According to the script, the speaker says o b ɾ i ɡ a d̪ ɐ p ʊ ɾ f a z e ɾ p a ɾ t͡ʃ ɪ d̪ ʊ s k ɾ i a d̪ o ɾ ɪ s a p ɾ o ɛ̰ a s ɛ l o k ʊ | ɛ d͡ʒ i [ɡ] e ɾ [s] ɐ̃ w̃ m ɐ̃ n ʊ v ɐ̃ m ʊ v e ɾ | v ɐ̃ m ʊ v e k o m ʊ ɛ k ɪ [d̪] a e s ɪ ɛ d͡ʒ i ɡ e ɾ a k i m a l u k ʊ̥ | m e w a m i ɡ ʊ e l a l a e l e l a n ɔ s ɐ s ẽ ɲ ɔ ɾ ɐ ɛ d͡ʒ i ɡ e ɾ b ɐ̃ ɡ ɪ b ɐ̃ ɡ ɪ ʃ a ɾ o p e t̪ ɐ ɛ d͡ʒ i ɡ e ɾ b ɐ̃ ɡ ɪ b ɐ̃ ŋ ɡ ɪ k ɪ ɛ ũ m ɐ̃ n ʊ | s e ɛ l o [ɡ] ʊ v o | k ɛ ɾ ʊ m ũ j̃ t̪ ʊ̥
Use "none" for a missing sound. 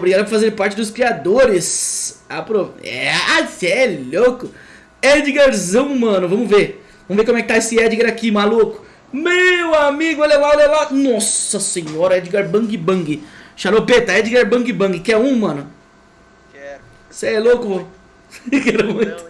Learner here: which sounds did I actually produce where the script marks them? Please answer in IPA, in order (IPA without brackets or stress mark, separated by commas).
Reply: ɡ, z, t̪, k